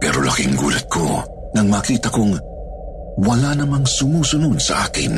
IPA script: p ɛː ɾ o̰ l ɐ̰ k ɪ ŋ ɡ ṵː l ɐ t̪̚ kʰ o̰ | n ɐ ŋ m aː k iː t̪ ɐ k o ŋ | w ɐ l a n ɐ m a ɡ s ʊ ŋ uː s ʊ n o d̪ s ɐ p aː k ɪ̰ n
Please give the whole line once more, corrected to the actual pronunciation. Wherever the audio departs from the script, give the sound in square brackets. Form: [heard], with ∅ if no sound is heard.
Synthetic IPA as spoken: p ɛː ɾ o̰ l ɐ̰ k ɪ ŋ ɡ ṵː l ɐ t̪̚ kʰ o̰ | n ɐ ŋ m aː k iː t̪ ɐ k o ŋ | w ɐ l a n ɐ m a [ŋ] s ʊ [m] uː s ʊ n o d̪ s ɐ [ʔ] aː k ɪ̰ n